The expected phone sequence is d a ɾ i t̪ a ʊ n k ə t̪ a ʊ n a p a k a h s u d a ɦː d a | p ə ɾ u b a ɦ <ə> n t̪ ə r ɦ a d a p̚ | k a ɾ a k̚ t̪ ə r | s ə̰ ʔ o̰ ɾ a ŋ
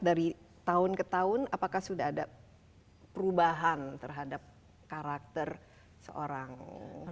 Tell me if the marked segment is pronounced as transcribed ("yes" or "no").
no